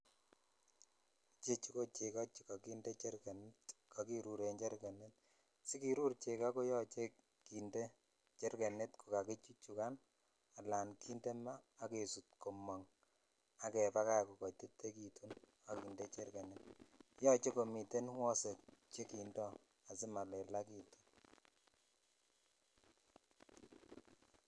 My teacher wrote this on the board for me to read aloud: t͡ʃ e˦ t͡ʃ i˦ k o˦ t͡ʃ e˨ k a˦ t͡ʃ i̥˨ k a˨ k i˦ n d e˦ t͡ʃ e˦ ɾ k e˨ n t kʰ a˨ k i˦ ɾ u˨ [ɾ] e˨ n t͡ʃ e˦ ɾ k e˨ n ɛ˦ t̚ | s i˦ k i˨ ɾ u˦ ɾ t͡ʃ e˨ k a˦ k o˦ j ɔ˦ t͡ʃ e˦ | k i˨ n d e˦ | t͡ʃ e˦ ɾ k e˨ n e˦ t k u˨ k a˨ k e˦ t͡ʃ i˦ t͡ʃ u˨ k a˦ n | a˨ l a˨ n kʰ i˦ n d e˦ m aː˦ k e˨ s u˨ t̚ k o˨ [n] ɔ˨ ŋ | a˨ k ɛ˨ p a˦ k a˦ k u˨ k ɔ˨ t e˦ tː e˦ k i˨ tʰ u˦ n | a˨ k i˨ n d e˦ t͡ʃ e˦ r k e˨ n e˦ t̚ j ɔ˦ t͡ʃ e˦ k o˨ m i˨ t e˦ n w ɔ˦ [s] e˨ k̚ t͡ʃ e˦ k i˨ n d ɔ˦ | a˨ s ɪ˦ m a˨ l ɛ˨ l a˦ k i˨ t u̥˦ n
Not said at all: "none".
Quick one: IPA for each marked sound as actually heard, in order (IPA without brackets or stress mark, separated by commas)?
ɾ, m, s